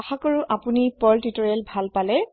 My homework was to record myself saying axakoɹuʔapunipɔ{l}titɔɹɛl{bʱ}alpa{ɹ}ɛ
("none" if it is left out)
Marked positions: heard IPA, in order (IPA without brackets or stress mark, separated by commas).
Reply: l, bʱ, l